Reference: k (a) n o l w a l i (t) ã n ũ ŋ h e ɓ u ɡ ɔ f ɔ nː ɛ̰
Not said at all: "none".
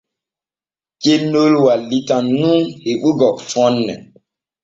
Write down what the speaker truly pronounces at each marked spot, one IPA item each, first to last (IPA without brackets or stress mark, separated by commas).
e, t